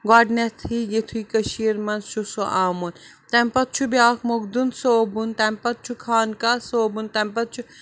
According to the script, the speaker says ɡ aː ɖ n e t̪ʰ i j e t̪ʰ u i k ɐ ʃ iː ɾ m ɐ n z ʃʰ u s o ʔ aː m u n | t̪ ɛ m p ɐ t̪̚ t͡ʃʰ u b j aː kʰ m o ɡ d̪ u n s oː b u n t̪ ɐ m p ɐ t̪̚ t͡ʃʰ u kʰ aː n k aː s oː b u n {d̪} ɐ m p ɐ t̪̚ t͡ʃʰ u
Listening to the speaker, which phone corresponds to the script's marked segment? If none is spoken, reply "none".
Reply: t̪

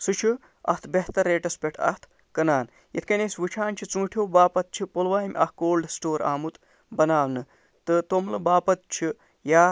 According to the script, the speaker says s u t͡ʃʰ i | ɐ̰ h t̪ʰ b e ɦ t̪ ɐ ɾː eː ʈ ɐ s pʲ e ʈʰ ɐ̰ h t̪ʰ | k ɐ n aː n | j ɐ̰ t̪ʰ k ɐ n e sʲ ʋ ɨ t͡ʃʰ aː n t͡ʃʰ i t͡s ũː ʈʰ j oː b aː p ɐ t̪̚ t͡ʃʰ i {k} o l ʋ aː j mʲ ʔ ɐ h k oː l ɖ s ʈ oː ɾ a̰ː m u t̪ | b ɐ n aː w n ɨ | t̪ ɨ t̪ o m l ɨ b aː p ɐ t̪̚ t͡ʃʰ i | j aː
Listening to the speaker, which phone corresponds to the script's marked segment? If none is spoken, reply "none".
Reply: p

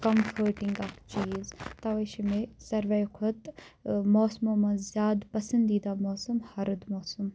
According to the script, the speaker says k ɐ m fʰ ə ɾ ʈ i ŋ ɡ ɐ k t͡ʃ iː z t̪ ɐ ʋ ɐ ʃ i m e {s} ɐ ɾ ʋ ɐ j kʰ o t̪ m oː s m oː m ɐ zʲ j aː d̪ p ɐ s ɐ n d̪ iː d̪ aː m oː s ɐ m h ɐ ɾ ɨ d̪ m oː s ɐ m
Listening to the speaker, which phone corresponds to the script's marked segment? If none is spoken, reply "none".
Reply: s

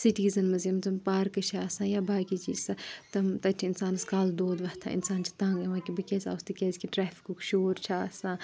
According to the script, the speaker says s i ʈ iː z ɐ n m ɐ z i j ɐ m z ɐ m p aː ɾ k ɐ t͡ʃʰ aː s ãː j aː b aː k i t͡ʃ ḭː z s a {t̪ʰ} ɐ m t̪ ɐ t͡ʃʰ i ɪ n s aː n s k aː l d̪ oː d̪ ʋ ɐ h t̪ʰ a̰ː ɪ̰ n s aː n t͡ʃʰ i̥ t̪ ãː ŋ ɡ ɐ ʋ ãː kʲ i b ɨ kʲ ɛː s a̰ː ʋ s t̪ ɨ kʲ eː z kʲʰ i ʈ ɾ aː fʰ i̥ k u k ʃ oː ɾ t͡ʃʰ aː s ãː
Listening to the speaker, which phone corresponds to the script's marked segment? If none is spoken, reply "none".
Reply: t̪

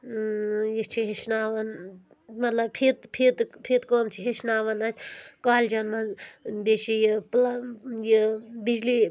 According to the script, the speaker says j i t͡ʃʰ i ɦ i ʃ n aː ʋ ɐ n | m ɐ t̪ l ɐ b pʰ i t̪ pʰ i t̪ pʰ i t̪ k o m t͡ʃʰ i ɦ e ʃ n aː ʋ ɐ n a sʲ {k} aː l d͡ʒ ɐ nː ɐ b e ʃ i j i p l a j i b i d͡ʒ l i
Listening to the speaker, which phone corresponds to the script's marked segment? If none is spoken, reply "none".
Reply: k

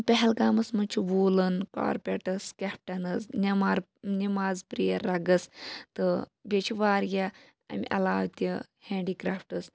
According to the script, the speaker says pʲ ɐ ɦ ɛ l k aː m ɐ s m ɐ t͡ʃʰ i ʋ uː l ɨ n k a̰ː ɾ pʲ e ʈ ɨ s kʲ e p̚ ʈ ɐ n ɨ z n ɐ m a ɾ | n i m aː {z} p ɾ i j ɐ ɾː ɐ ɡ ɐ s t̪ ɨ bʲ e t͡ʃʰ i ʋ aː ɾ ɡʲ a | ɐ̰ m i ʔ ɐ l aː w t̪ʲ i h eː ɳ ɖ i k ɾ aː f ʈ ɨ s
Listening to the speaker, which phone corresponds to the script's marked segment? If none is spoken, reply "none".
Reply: z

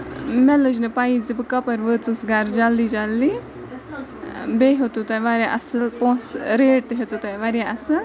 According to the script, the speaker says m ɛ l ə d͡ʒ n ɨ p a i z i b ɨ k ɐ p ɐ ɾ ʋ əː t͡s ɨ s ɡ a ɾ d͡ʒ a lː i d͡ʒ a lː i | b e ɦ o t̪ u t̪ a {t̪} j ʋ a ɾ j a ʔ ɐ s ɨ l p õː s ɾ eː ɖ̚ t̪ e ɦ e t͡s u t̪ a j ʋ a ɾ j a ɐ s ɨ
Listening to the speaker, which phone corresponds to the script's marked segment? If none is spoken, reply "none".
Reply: none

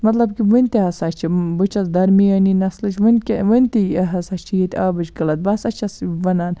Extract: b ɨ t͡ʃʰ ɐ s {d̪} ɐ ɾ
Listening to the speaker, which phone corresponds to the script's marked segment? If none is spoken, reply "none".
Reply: d̪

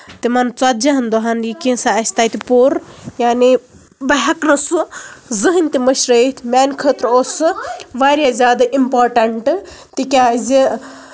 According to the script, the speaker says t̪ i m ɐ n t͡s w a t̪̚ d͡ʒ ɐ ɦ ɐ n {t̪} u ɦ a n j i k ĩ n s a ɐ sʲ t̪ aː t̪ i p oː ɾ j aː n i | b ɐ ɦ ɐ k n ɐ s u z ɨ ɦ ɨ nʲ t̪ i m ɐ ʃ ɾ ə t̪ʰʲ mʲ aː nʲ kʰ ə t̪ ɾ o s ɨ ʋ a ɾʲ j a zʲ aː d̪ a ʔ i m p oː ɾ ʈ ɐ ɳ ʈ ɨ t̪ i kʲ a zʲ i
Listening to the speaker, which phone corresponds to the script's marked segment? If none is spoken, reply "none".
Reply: d̪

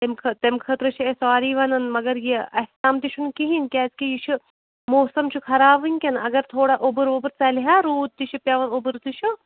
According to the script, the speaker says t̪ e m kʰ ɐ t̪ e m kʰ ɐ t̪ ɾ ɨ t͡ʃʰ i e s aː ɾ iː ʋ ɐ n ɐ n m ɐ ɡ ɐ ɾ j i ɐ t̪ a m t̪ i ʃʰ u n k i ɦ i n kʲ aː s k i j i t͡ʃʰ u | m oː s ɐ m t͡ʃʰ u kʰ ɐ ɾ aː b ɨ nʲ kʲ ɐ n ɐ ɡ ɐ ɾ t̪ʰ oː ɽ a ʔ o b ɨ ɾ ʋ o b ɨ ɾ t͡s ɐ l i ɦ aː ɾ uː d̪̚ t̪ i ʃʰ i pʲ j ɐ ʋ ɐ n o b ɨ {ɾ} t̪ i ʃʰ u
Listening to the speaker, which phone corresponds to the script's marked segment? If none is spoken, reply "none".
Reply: ɾ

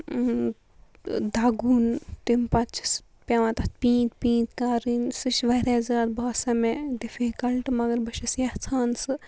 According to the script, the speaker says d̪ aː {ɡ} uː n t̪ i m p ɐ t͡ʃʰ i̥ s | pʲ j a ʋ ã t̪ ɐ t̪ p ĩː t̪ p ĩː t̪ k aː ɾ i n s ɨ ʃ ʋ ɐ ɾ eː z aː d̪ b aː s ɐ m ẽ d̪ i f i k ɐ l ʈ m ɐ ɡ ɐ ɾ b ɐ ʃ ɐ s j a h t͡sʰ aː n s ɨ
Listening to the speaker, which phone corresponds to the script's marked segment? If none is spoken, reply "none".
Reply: ɡ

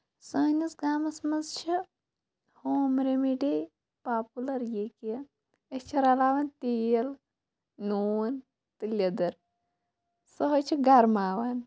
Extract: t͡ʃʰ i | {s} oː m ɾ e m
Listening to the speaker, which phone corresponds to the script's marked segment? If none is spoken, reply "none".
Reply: h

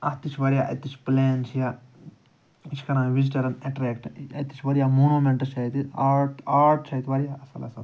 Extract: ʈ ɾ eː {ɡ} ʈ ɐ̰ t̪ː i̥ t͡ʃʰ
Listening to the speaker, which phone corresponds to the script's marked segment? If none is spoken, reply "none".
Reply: k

